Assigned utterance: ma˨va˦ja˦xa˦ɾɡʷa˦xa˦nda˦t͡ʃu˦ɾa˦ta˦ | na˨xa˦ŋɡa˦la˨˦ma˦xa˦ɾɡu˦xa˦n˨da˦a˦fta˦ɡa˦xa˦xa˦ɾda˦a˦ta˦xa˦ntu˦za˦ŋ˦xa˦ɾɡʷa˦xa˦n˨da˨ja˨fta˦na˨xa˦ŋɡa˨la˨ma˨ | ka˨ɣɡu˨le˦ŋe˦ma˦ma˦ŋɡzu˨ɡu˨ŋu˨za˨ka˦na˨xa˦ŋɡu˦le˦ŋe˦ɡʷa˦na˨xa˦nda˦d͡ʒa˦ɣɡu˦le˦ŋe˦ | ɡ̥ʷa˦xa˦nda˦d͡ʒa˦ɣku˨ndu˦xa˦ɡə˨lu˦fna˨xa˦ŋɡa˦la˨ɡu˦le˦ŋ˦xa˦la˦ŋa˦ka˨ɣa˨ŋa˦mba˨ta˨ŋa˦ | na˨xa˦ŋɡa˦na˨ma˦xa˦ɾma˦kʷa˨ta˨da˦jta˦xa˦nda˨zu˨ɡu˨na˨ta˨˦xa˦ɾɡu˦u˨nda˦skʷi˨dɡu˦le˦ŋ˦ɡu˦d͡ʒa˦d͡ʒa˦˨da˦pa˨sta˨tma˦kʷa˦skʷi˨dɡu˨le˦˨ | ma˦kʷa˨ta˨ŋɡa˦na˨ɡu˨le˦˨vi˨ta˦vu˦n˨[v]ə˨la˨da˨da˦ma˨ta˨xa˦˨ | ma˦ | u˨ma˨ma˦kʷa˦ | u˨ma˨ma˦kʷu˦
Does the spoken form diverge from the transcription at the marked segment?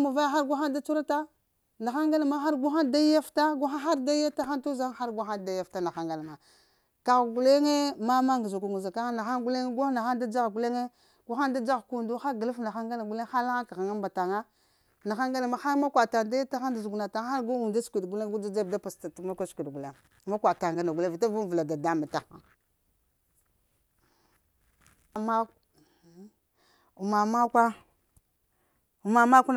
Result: no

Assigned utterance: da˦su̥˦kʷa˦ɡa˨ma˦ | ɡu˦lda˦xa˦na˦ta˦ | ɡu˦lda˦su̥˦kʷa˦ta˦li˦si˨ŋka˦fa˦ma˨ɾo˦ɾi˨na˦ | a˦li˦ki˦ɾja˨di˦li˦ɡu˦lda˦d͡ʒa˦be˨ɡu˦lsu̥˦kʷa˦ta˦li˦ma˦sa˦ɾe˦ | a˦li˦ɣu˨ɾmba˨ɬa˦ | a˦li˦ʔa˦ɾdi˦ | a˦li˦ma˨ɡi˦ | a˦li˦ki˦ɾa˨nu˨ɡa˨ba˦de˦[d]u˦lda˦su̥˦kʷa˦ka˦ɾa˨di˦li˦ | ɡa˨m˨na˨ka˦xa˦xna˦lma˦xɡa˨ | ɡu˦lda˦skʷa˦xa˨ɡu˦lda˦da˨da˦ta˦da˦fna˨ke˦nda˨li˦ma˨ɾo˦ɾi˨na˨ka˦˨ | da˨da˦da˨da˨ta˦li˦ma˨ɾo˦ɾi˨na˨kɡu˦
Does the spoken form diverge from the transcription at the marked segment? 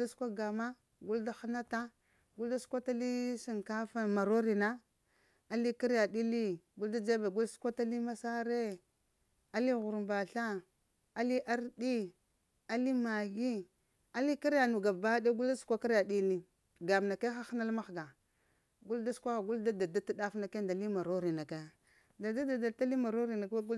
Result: yes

